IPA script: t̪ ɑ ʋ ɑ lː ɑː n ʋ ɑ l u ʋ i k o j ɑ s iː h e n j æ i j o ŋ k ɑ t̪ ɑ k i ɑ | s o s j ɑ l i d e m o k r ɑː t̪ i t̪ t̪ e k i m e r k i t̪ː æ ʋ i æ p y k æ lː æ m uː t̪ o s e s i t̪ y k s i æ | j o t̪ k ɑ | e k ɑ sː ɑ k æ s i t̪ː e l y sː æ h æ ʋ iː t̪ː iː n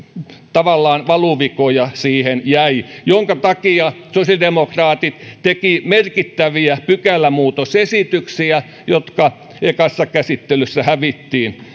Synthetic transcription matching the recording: t̪ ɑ ʋ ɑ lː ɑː n ʋ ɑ l u ʋ i k o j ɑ s iː h e n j æ i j o ŋ k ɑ t̪ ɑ k i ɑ | s o s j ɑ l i d e m o k r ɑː t̪ i t̪ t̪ e k i m e r k i t̪ː æ ʋ i æ p y k æ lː æ m uː t̪ o s e s i t̪ y k s i æ | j o t̪ k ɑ | e k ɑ sː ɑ k æ s i t̪ː e l y sː æ h æ ʋ i t̪ː iː n

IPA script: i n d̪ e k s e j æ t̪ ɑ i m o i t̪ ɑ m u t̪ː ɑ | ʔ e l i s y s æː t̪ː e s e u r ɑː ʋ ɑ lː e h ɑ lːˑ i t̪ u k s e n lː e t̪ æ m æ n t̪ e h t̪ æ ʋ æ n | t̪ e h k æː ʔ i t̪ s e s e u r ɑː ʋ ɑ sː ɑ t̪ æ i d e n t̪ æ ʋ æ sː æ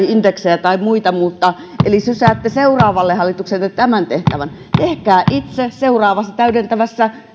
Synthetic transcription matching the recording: i n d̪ e k s e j æ t̪ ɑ i m u i t̪ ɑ m u t̪ː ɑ | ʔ e l i s y s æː t̪ː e s e u r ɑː ʋ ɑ lː e h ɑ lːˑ i t̪ u k s e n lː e t̪ æ m æ n t̪ e h t̪ æ ʋ æ n | t̪ e h k æː ʔ i t̪ s e s e u r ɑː ʋ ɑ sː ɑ t̪ æ y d e n t̪ æ ʋ æ sː æ

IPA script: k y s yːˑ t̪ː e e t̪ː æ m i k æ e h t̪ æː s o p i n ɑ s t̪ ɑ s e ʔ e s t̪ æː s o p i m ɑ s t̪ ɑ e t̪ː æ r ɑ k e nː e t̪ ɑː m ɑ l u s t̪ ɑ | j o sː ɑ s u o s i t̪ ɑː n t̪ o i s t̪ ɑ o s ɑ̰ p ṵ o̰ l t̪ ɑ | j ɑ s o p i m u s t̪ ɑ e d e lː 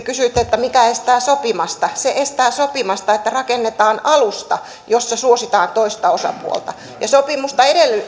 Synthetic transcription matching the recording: k y s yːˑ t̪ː e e t̪ː æ m i k æ e s t̪ æː s o p i m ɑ s t̪ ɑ s e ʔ e s t̪ æː s o p i m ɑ s t̪ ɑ e t̪ː æ r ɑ k e nː e t̪ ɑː n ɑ l u s t̪ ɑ | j o sː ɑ s u o s i t̪ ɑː n t̪ o i s t̪ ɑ o s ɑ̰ p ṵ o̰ l t̪ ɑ | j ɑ s o p i m u s t̪ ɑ e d e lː

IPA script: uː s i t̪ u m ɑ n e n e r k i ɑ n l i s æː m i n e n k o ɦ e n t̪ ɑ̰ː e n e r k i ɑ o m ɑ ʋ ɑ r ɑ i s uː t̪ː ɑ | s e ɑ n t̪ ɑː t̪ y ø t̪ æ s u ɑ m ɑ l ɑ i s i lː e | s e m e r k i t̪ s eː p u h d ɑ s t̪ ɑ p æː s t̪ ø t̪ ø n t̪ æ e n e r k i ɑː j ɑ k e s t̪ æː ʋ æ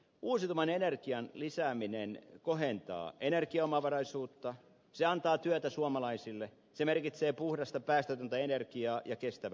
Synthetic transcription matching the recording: uː s i t̪ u m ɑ n e n e r k i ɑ n l i s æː m i n e n k o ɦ e n t̪ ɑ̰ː e n e r k i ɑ o m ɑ ʋ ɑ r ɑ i s uː t̪ː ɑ | s e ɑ n t̪ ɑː t̪ y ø t̪ æ s u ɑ m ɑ l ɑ i s i lː e | s e m e r k i t̪ s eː p u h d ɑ s t̪ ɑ p æː s t̪ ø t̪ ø n t̪ æ e n e r k i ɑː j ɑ k e s t̪ æ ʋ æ

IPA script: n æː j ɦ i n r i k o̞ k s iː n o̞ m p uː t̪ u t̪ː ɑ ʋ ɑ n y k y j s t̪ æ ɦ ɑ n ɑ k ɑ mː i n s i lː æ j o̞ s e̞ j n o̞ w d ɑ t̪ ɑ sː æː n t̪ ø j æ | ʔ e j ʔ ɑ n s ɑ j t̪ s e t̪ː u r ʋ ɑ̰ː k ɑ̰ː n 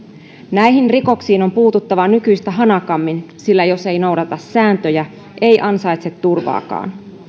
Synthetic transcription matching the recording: n æ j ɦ i n r i k o̞ k s iː n o̞ m p uː t̪ u t̪ː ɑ ʋ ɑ n y k y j s t̪ æ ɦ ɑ n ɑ k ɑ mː i n s i lː æ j o̞ s e̞ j n o̞ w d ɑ t̪ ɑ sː æː n t̪ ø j æ | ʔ e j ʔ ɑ n s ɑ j t̪ s e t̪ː u r ʋ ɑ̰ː k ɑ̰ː n

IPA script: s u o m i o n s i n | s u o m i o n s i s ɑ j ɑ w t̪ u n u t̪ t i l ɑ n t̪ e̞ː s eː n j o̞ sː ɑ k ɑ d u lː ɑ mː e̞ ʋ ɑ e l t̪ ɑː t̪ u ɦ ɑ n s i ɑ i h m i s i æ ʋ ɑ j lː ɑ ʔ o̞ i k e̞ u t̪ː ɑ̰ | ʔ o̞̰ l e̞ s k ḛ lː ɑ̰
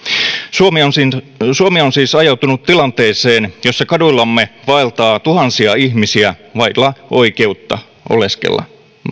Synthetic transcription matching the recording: s u o m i o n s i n | s u o m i o n s iː s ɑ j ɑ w t̪ u n u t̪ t i l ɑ n t̪ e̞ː s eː n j o̞ sː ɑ k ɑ d u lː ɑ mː e̞ ʋ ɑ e l t̪ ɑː t̪ u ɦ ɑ n s i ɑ i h m i s i æ ʋ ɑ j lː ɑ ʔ o̞ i k e̞ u t̪ː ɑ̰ | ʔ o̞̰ l e̞ s k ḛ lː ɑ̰

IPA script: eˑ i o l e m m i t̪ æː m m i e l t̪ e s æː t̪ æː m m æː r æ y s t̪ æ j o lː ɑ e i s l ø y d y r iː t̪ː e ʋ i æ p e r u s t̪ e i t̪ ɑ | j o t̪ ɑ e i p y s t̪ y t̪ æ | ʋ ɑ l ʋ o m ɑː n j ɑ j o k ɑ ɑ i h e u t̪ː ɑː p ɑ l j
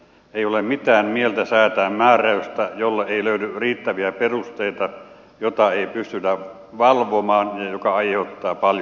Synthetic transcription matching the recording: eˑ i o l e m m i t̪ æː m m i e l t̪ æ s æː t̪ æː m m æː r æ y s t̪ æ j o lː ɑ e i l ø y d y r iː t̪ː æ ʋ i æ p e r u s t̪ e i t̪ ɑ | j o t̪ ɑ e i p y s t̪ y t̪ æ | ʋ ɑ l ʋ o m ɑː n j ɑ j o k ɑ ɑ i h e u t̪ː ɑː p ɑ l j

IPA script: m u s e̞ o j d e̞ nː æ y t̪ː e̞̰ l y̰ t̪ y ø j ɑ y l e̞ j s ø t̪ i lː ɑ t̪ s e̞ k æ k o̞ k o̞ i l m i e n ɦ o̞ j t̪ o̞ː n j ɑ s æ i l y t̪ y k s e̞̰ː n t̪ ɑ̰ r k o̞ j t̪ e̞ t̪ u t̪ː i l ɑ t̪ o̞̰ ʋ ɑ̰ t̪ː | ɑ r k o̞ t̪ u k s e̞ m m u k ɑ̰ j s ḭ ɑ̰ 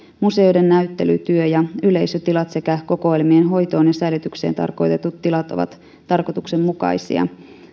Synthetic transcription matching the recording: m u s e̞ o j d e̞ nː æ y t̪ː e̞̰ l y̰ t̪ y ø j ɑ y l e̞ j s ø t̪ i l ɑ t̪ s e̞ k æ k o̞ k o̞ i l m i e n ɦ o̞ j t̪ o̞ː n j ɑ s æ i l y t̪ y k s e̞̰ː n t̪ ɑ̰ r k o̞ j t̪ e̞ t̪ u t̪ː i l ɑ t̪ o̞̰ ʋ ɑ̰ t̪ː | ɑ r k o̞ t̪ u k s e̞ m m u k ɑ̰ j s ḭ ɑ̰

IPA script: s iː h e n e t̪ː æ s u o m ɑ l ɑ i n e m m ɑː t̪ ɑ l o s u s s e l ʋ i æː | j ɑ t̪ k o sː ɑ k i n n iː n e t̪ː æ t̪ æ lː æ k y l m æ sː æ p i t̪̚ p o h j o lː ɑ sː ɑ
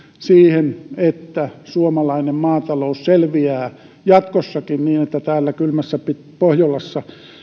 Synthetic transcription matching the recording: s iː h e n e t̪ː æ s u o m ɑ l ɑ i n e m m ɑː t̪ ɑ l o u s s e l ʋ i æː | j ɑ t̪ k o sː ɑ k i n n iː n e t̪ː æ t̪ æː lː æ k y l m æ sː æ p i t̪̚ p o h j o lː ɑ sː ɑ

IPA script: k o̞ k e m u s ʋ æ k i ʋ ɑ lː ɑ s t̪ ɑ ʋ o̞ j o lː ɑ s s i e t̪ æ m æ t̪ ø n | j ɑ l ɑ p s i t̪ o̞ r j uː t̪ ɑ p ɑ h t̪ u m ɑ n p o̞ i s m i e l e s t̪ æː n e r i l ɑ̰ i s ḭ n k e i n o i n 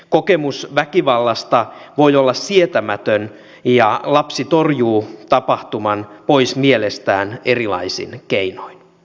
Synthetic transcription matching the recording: k o̞ k e m u s ʋ æ k i ʋ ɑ lː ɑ s t̪ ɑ ʋ o̞ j o lː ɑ s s i e t̪ æ m æ t̪ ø n | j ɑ l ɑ p s i t̪ o̞ r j uː t̪ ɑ p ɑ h t̪ u m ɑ n p o̞ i s m i e l e s t̪ æː n e r i l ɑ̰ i s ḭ n k e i n o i n

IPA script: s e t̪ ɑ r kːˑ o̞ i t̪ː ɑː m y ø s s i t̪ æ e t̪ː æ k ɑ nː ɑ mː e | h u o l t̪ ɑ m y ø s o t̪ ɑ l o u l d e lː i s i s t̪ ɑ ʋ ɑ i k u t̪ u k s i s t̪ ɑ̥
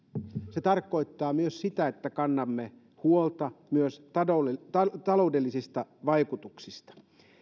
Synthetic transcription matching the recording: s e t̪ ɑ r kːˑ o̞ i t̪ː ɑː m y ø s s i t̪ æ e t̪ː æ k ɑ nː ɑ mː e | h u o l t̪ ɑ m y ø s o t̪ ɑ l o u d e lː i s i s t̪ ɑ ʋ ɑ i k u t̪ u k s i s t̪ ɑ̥

